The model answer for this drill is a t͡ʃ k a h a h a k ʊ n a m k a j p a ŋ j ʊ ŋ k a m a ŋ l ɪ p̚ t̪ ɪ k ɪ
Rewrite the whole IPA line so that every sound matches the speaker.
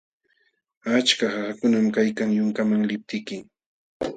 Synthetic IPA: a t͡ʃ k a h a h a k ʊ n a m k a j k a ŋ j ʊ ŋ k a m a ŋ l ɪ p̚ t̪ ɪ k ɪ